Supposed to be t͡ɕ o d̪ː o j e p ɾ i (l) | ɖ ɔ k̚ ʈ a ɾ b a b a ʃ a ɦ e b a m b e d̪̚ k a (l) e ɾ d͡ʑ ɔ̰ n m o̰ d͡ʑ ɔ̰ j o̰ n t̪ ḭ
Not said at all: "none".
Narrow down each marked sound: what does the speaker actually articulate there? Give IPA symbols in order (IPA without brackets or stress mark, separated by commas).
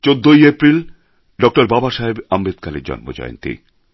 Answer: l, l